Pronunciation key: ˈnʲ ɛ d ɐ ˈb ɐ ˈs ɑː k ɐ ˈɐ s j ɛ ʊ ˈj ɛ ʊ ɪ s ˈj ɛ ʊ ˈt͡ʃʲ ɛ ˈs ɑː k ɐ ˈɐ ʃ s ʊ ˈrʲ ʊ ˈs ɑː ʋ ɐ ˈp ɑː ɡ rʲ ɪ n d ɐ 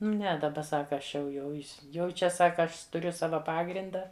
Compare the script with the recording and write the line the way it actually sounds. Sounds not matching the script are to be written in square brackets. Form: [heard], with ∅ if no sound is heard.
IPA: ˈnʲ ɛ d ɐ ˈb ɐ ˈs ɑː k ɐ ˈɐ [ʃ] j ɛ ʊ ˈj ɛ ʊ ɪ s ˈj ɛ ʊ ˈt͡ʃʲ ɛ ˈs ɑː k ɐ ˈɐ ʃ [t] ʊ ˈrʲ ʊ ˈs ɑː ʋ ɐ ˈp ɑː ɡ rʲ ɪ n d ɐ